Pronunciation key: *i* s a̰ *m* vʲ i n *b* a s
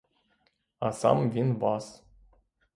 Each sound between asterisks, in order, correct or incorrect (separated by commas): incorrect, correct, incorrect